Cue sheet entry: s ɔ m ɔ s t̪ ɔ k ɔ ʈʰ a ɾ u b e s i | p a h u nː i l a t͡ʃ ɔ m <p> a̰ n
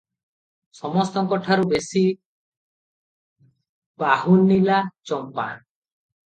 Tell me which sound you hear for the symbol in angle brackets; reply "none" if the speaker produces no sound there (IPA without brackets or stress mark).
p